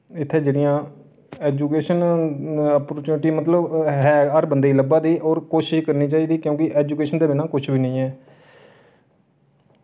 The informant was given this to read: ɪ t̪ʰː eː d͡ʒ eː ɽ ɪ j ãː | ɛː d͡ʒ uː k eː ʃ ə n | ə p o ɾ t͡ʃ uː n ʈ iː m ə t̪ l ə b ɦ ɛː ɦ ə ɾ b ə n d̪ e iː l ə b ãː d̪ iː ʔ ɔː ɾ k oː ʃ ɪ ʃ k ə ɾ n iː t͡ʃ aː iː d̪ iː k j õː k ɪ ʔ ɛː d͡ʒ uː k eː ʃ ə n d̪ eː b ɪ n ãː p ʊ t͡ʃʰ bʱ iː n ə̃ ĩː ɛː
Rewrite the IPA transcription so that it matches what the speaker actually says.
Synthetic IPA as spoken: ɪ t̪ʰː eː d͡ʒ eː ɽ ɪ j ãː | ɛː d͡ʒ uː k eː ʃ ə n | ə p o ɾ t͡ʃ uː n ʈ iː m ə t̪ l ə b ɦ ɛː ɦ ə ɾ b ə n d̪ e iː l ə b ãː d̪ iː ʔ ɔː ɾ k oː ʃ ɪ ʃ k ə ɾ n iː t͡ʃ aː iː d̪ iː k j õː k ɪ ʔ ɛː d͡ʒ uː k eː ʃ ə n d̪ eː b ɪ n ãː k ʊ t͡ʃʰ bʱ iː n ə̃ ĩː ɛː

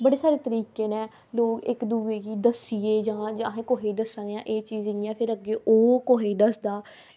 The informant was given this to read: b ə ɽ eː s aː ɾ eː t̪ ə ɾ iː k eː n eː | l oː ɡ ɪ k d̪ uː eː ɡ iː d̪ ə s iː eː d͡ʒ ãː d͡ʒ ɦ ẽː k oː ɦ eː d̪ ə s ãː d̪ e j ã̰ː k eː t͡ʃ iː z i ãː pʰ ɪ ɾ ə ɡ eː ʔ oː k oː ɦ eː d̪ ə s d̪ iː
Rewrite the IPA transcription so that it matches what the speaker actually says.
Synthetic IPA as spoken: b ə ɽ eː s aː ɾ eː t̪ ə ɾ iː k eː n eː | l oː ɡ ɪ k d̪ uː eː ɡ iː d̪ ə s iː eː d͡ʒ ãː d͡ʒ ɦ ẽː k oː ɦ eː d̪ ə s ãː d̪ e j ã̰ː ʔ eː t͡ʃ iː z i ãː pʰ ɪ ɾ ə ɡ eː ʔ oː k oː ɦ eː d̪ ə s d̪ aː

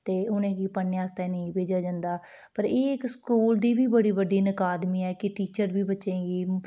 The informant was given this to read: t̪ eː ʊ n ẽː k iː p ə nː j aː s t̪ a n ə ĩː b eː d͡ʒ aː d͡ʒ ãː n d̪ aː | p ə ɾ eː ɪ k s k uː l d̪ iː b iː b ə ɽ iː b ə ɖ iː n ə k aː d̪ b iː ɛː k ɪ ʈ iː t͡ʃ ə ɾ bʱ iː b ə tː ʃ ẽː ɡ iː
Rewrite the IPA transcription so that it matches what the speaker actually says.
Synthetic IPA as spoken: t̪ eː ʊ n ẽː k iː p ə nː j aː s t̪ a n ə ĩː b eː d͡ʒ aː d͡ʒ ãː n d̪ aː | p ə ɾ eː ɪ k s k uː l d̪ iː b iː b ə ɽ iː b ə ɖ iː n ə k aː d̪ m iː ɛː k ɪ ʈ iː t͡ʃ ə ɾ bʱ iː b ə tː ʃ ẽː ɡ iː

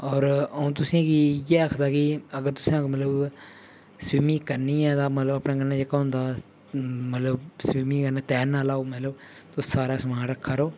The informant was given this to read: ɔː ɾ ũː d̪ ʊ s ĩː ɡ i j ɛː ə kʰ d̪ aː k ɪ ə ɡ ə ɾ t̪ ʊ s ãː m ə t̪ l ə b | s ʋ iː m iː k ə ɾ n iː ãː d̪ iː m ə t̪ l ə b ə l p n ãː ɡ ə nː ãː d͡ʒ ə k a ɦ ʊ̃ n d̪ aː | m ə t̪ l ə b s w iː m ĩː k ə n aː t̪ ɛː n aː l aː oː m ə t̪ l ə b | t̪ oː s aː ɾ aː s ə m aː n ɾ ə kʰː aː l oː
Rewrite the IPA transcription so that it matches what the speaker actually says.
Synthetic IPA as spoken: ɔː ɾ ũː t̪ ʊ s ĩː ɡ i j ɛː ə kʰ d̪ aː k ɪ ə ɡ ə ɾ t̪ ʊ s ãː m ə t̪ l ə b | s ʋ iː m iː k ə ɾ n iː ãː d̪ aː m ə t̪ l ə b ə p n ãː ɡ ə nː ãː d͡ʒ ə k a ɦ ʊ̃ n d̪ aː | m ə t̪ l ə b s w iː m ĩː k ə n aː t̪ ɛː n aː l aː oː m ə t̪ l ə b | t̪ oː s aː ɾ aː s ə m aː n ɾ ə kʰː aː ɾ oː

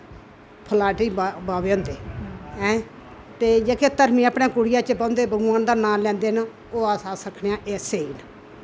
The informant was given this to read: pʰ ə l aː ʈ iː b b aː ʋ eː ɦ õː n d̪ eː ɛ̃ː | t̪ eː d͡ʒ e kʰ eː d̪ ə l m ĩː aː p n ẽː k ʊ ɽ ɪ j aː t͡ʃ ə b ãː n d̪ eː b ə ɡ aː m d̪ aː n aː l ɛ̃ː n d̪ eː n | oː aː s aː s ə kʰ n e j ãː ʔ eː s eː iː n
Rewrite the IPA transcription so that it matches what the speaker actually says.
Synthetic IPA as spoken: pʰ ə l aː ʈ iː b b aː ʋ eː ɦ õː n d̪ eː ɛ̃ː | t̪ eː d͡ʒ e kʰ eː t̪ ə ɾ m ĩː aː p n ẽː k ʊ ɽ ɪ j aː t͡ʃ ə b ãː n d̪ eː b ə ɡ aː n d̪ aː n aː l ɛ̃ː n d̪ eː n | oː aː s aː s ə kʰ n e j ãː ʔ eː s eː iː n

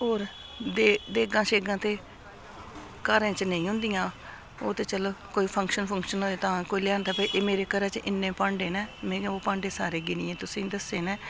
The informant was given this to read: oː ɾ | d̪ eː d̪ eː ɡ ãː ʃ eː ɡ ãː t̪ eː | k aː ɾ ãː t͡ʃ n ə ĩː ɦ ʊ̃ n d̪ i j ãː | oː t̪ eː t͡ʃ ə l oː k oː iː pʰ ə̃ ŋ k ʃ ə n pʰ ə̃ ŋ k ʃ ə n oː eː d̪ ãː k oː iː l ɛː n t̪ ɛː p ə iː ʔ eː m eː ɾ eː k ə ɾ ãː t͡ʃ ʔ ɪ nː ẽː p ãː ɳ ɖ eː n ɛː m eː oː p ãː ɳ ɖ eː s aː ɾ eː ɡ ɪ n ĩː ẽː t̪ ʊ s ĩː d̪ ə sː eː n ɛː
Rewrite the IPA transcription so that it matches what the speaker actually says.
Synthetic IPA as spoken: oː ɾ | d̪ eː d̪ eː ɡ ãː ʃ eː ɡ ãː t̪ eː | k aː ɾ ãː t͡ʃ n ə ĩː ɦ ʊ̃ n d̪ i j ãː | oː t̪ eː t͡ʃ ə l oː k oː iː pʰ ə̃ ŋ k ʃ ə n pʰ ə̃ ŋ k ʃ ə n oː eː t̪ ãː k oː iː l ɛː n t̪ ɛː p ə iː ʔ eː m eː ɾ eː k ə ɾ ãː t͡ʃ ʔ ɪ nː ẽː p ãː ɳ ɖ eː n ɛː m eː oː p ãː ɳ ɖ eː s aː ɾ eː ɡ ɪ n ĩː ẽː t̪ ʊ s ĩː d̪ ə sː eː n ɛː

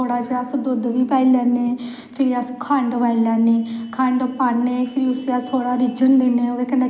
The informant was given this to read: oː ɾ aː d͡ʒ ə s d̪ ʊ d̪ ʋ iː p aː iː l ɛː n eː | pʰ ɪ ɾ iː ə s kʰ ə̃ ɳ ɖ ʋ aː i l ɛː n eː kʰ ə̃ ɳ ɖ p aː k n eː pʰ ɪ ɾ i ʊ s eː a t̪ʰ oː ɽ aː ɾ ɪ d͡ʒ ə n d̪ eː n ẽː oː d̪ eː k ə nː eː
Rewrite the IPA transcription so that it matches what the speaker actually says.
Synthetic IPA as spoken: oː ɽ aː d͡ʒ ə s d̪ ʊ d̪ ʋ iː p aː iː l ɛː n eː | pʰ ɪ ɾ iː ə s kʰ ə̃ ɳ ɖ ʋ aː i l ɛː n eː kʰ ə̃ ɳ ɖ p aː n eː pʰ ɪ ɾ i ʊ s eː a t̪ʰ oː ɽ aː ɾ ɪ d͡ʒ ə n d̪ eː n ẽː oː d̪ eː k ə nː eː

